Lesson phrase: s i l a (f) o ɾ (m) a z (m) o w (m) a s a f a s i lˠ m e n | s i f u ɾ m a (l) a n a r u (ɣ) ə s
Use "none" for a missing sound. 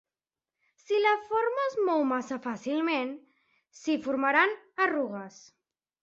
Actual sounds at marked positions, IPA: f, m, m, m, ɾ, ɣ

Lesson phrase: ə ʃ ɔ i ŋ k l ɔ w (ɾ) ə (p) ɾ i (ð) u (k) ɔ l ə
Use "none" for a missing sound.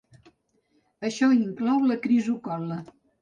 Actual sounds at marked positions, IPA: l, k, z, k

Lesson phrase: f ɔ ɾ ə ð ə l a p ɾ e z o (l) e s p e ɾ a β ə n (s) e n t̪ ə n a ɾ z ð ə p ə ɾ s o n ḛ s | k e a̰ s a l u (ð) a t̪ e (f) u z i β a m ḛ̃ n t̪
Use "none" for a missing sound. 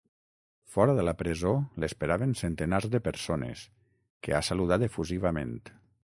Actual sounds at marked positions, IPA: l, s, ð, f

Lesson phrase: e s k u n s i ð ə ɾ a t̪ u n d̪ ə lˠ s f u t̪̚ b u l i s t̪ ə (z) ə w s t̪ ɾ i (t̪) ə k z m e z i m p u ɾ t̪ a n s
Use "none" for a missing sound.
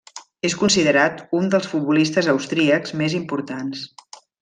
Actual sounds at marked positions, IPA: z, none

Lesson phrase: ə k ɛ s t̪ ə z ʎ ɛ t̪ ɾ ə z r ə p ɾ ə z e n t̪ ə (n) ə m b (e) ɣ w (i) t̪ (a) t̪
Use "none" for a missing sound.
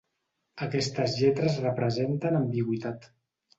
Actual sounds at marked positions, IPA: n, i, i, a

